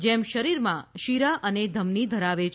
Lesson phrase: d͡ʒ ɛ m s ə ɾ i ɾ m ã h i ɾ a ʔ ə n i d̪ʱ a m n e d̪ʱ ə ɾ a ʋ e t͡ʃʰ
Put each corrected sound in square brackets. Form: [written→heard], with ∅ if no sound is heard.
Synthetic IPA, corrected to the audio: d͡ʒ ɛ m [s→ʃ] ə ɾ i ɾ m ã [h→ʃ] i ɾ a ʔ ə n [i→e] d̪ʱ [a→ə] m n [e→i] d̪ʱ ə ɾ a ʋ e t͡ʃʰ